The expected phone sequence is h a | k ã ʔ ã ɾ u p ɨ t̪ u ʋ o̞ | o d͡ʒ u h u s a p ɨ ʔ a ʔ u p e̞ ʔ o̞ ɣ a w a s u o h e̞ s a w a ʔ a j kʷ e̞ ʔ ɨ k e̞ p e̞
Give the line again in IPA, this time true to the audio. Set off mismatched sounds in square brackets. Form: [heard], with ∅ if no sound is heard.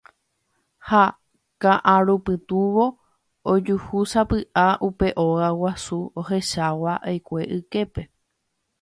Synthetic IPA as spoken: h a | k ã ʔ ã ɾ u p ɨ t̪ u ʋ o̞ | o d͡ʒ u h u s a p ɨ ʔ a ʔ u p e̞ ʔ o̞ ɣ a w a s u o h e̞ [ʃ] a w a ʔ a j kʷ e̞ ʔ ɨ k e̞ p e̞